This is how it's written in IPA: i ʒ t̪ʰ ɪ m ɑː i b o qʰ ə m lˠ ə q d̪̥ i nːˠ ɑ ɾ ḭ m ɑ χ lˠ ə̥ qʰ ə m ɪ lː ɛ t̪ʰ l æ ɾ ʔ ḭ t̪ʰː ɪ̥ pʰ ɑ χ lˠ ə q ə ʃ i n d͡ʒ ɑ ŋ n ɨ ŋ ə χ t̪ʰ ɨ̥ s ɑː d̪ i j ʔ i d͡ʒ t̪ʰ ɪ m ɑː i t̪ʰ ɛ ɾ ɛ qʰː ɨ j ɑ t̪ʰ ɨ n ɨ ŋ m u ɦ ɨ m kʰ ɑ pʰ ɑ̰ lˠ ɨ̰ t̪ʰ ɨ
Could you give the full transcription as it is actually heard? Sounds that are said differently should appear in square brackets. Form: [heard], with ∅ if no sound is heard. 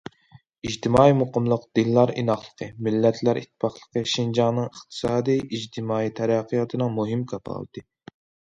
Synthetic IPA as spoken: i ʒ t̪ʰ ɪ m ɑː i [m] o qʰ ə m lˠ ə q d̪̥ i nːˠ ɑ ɾ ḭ [n] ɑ χ lˠ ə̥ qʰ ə m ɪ lː ɛ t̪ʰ l æ ɾ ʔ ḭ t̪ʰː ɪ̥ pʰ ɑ χ lˠ ə q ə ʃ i n d͡ʒ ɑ ŋ n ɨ ŋ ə χ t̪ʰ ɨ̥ s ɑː d̪ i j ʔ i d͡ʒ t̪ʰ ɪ m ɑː i t̪ʰ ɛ ɾ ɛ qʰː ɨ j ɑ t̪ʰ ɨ n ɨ ŋ m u ɦ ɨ m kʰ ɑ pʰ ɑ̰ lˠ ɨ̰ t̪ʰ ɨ